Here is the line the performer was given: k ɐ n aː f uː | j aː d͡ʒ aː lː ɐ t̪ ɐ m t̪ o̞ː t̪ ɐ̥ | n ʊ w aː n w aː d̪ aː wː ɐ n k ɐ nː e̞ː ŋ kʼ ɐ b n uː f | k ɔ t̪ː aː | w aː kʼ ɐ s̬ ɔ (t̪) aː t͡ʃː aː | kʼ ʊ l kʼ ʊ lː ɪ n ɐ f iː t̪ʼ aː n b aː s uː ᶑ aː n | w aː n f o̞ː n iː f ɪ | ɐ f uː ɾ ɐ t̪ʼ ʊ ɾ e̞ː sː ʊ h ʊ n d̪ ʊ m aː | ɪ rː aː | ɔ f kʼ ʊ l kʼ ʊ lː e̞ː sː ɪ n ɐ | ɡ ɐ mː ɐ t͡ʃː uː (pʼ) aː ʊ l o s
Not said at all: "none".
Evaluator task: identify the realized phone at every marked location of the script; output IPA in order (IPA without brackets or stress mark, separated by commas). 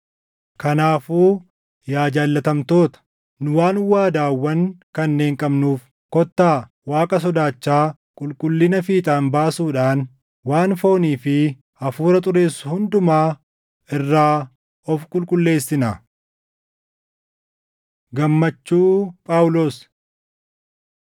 d̪, pʼ